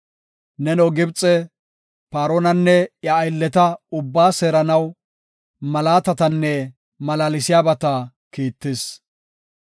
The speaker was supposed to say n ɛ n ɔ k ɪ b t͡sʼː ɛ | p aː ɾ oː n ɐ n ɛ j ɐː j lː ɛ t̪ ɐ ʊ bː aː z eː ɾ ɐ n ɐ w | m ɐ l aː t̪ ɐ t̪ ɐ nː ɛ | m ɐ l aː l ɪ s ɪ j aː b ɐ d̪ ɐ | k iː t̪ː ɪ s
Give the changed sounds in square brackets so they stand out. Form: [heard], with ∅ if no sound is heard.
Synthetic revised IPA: n ɛ n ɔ [ɡ] ɪ b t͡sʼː ɛ | p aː ɾ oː n ɐ [nː] ɛ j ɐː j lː ɛ t̪ ɐ ʊ bː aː [s] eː ɾ ɐ n ɐ w | m ɐ l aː t̪ ɐ t̪ ɐ nː ɛ | m ɐ l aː l ɪ s ɪ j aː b ɐ [t̪] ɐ | k iː t̪ː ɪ s